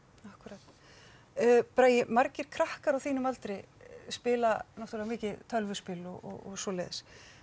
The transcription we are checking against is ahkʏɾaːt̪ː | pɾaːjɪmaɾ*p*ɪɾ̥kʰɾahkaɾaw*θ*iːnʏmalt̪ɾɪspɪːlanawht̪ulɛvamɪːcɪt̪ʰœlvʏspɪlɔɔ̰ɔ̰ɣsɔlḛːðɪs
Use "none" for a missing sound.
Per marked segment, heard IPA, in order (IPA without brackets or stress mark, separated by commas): c, θ